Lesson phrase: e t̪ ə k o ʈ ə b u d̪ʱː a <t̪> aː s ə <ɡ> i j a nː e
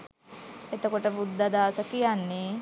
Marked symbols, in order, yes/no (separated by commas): no, no